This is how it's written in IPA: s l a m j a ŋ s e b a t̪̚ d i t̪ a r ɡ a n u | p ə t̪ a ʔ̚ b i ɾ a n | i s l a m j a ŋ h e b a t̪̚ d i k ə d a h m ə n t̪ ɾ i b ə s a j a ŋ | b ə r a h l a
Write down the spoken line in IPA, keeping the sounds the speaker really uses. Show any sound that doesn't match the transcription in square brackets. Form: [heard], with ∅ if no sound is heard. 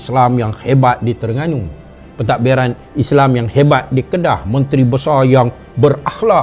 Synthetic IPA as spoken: s l a m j a ŋ [h] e b a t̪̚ d i t̪ [ə] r [ŋ] a n u | p ə t̪ a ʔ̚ b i ɾ a n | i s l a m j a ŋ h e b a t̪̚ d i k ə d a h m ə n t̪ ɾ i b ə s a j a ŋ | b ə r a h l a